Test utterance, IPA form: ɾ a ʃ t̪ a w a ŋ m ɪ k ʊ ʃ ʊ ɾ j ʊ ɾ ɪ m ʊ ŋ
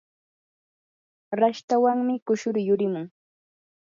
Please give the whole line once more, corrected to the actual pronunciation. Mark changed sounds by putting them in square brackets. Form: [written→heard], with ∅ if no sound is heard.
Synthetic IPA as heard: ɾ a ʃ t̪ a w a ŋ m ɪ k ʊ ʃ ʊ ɾ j ʊ ɾ ɪ m ʊ ŋ